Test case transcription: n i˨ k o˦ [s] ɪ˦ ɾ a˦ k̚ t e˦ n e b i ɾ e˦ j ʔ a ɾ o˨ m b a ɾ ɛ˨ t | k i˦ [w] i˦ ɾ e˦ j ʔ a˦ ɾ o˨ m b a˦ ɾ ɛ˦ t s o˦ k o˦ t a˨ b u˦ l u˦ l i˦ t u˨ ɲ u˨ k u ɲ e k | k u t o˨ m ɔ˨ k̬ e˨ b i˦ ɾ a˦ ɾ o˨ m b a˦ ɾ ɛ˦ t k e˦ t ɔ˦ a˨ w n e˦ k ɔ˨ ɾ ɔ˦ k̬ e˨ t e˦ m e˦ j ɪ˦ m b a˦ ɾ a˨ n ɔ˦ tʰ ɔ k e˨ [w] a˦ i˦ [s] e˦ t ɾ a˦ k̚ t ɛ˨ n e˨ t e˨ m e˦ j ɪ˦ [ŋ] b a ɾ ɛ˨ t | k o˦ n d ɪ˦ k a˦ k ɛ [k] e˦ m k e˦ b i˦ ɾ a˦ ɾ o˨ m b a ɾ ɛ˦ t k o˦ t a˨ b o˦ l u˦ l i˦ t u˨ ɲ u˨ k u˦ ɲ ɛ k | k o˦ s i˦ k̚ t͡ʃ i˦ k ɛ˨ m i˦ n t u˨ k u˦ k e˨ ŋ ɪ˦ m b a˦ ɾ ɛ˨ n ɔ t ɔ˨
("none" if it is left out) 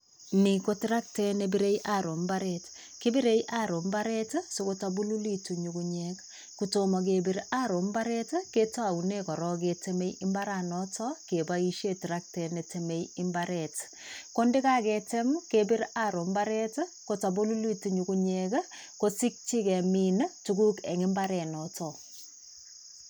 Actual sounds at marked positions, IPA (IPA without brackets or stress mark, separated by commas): t, b, b, ʃ, m, t